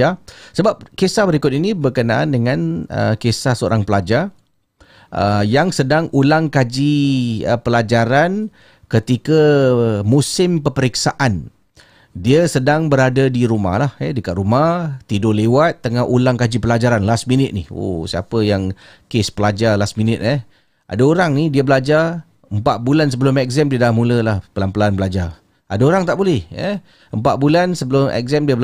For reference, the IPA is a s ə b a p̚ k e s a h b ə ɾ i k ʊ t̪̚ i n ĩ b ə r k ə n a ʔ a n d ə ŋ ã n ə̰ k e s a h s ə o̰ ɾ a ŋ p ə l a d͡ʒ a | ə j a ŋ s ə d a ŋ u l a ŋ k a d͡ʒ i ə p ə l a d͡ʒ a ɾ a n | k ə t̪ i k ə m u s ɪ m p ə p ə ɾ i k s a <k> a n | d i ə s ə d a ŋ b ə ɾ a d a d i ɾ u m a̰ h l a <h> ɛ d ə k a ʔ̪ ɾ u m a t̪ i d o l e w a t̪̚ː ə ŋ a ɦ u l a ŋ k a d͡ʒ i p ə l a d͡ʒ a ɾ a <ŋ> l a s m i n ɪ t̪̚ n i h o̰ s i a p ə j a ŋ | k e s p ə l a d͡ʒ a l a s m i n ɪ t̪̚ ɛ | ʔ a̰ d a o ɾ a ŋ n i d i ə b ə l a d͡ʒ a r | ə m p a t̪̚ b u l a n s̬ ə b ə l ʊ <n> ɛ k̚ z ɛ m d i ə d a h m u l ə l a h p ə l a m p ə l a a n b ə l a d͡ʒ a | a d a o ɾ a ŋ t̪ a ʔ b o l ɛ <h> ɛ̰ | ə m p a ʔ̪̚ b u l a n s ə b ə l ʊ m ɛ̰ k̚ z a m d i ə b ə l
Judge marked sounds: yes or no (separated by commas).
no, yes, no, no, yes